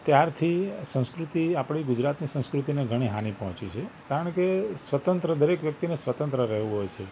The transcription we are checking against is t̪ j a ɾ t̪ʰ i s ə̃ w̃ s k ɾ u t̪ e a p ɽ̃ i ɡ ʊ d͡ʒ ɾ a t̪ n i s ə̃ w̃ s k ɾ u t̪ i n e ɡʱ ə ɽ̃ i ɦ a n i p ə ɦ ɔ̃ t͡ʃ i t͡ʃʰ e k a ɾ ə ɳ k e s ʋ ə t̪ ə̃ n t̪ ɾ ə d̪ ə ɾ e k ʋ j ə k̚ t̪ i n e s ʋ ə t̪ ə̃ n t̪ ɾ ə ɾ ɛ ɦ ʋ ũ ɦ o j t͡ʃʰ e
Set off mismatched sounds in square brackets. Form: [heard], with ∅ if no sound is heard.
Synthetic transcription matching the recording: t̪ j a ɾ t̪ʰ i s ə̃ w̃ s k ɾ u t̪ [i] a p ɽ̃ i ɡ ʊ d͡ʒ ɾ a t̪ n i s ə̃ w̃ s k ɾ u t̪ i n e ɡʱ ə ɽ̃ i ɦ a n i p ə ɦ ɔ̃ t͡ʃ i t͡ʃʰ e k a ɾ ə ɳ k e s ʋ ə t̪ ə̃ n t̪ ɾ ə d̪ ə ɾ e k ʋ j ə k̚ t̪ i n e s ʋ ə t̪ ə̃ n t̪ ɾ ə ɾ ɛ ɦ ʋ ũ ɦ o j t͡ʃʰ e